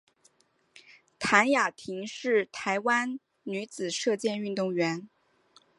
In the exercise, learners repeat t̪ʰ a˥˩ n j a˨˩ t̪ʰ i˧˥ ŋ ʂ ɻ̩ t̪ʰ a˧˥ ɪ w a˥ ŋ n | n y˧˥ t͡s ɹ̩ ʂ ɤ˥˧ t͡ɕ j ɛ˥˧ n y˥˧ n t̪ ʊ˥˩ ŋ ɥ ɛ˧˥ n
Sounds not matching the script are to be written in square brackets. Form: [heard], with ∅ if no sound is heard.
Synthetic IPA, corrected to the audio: t̪ʰ [a˧˥] n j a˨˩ t̪ʰ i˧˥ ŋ ʂ ɻ̩ t̪ʰ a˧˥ ɪ w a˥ [∅] n | n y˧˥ t͡s ɹ̩ ʂ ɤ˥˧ t͡ɕ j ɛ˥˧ n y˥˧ n t̪ ʊ˥˩ ŋ ɥ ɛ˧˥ n